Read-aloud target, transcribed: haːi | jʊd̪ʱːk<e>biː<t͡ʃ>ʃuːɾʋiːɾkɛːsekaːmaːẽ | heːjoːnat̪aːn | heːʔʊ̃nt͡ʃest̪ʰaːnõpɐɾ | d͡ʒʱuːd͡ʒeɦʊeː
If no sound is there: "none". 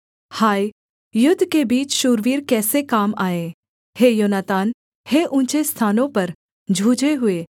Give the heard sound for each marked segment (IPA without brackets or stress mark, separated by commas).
e, t͡ʃ